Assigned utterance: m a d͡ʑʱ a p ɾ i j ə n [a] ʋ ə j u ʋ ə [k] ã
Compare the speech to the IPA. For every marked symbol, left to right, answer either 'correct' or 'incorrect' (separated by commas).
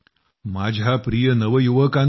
incorrect, correct